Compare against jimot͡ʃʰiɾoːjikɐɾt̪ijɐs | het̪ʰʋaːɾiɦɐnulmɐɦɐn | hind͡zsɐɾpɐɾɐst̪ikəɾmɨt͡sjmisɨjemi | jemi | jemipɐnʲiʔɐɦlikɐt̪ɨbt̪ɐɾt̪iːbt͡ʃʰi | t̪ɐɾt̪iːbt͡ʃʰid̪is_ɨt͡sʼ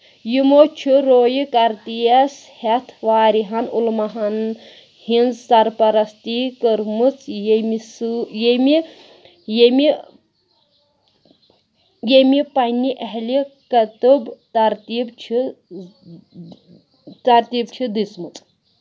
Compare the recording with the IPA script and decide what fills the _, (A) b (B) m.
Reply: B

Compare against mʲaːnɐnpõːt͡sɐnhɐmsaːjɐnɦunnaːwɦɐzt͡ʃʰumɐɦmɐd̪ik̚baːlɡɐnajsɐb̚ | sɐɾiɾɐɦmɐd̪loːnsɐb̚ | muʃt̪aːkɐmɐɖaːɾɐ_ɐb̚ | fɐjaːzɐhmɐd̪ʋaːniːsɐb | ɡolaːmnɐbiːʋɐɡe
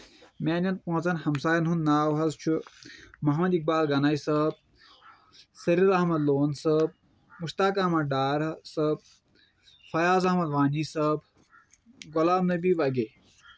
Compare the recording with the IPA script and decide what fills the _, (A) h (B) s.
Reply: B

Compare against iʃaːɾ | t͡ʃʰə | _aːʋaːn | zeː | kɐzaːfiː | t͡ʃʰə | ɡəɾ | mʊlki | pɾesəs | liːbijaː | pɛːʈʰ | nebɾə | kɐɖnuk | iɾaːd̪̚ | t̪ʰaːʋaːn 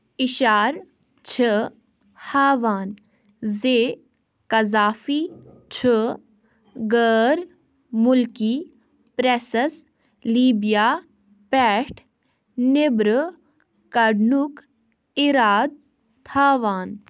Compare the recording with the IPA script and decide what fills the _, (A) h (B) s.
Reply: A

